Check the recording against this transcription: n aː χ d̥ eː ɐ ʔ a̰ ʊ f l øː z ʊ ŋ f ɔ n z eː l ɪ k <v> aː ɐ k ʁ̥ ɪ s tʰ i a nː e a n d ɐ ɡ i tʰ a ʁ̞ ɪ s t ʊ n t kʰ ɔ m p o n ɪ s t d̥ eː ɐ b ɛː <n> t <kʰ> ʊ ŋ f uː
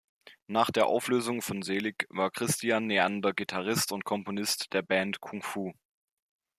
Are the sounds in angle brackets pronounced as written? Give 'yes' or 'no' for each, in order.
yes, yes, yes

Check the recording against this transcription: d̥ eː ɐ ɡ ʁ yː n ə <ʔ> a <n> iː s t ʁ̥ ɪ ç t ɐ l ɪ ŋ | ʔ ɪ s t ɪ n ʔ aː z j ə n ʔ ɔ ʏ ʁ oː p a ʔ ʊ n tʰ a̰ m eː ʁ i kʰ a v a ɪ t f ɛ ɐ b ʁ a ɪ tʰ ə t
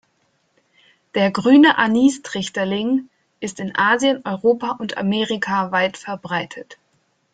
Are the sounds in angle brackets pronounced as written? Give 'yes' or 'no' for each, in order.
yes, yes

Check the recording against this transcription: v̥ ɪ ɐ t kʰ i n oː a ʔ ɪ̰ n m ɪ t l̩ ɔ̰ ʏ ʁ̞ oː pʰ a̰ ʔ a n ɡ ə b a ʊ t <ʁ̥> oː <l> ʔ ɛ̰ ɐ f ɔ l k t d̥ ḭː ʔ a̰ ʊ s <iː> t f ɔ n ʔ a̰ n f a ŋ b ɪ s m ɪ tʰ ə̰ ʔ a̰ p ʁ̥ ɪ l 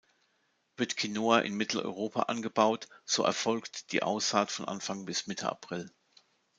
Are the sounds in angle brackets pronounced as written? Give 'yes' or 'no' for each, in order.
no, no, no

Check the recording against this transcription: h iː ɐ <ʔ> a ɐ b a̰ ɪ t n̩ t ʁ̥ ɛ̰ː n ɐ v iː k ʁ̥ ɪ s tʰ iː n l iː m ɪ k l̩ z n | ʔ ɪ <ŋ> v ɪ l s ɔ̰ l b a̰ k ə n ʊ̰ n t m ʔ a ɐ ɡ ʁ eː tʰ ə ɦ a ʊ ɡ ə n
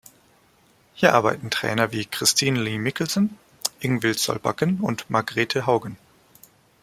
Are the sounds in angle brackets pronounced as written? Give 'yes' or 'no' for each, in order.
yes, yes

